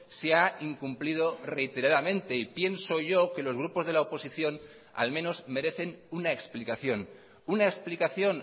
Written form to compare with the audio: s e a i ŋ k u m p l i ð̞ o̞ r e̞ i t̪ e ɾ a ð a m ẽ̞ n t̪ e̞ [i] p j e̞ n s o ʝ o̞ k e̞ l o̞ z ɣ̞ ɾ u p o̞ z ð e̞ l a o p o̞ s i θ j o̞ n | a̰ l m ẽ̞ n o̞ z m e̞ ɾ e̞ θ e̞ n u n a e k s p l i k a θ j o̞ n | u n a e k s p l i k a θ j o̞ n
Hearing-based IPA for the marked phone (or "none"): i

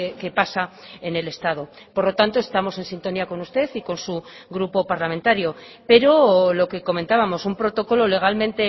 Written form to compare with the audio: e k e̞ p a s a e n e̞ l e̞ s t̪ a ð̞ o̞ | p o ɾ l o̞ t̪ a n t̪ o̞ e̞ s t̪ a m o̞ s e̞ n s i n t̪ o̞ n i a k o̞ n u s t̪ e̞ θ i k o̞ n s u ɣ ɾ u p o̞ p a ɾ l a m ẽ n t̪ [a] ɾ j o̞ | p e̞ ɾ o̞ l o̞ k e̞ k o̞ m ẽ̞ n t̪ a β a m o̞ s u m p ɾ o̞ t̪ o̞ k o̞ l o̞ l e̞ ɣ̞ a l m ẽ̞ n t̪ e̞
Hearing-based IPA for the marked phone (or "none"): a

